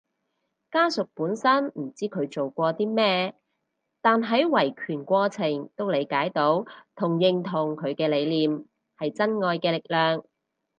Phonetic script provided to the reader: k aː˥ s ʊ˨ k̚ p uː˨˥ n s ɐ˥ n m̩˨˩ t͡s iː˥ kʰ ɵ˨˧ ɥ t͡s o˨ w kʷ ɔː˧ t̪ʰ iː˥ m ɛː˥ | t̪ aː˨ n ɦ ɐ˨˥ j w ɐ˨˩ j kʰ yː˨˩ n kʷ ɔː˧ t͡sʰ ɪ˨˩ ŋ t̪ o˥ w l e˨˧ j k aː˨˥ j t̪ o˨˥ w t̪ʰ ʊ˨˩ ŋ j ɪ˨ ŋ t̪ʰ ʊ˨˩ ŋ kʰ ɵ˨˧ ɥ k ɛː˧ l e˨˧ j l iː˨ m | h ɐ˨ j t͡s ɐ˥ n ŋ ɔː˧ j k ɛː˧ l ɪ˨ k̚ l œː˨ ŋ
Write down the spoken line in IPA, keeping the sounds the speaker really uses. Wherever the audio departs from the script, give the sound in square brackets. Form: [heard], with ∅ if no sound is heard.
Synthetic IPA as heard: k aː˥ s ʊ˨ k̚ p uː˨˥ n s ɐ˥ n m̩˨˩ t͡s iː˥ kʰ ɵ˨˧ ɥ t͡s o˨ w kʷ ɔː˧ [t̪] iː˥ m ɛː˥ | t̪ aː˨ n ɦ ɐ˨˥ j w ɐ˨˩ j kʰ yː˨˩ n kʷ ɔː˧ t͡sʰ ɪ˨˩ ŋ t̪ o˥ w l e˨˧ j k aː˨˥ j t̪ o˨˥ w t̪ʰ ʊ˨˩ ŋ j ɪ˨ ŋ t̪ʰ ʊ˨˩ ŋ kʰ ɵ˨˧ ɥ k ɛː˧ l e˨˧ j l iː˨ m | h ɐ˨ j t͡s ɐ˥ n ŋ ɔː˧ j k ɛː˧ l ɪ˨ k̚ l œː˨ ŋ